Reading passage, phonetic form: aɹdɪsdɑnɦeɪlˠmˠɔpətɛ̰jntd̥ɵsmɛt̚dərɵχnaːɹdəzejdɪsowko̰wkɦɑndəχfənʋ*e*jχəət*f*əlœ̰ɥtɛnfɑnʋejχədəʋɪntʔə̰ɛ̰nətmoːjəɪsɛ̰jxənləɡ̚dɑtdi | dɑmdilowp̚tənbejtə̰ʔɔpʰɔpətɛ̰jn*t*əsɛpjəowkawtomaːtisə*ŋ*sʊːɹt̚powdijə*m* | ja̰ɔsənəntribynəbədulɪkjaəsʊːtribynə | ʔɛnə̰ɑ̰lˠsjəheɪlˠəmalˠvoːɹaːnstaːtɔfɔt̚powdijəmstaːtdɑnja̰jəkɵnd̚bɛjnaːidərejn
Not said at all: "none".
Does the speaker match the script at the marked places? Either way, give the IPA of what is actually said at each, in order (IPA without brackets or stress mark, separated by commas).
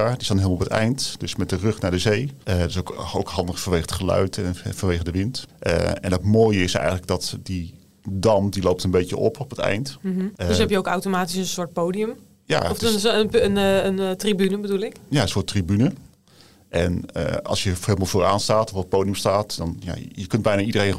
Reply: e, χ, t, n, m